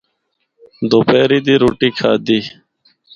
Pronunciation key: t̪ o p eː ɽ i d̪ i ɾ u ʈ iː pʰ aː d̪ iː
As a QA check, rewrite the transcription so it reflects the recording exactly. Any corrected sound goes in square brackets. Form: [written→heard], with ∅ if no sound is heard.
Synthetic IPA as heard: [t̪→d̪] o p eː [ɽ→ɾ] i d̪ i ɾ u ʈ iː [pʰ→kʰ] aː d̪ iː